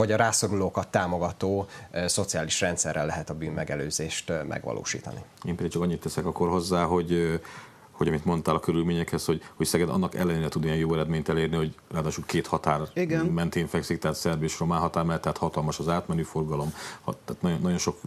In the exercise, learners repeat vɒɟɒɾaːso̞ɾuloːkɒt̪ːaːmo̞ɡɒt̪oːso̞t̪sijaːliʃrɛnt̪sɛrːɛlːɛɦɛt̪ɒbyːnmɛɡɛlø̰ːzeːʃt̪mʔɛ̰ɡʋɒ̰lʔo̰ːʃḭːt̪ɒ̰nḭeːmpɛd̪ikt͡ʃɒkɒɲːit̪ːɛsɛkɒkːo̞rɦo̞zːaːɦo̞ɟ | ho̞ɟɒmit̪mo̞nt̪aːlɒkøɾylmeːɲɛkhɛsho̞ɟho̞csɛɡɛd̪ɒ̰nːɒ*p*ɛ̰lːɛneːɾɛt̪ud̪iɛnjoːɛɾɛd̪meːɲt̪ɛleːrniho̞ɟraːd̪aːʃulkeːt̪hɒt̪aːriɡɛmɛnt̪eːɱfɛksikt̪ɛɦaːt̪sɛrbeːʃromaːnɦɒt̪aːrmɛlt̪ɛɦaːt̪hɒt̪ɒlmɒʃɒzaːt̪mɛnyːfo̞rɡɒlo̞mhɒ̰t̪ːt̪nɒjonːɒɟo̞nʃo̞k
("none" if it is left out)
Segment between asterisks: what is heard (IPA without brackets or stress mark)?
k